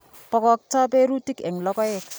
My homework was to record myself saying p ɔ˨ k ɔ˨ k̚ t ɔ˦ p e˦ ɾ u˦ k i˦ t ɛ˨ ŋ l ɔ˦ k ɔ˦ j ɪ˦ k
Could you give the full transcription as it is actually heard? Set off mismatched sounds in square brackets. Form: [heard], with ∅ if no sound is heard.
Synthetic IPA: p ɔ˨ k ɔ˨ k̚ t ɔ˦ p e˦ ɾ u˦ [t] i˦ [k] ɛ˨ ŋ l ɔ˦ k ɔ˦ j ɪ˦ k